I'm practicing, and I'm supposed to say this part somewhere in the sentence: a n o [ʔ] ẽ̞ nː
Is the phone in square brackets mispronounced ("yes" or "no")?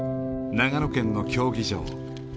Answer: yes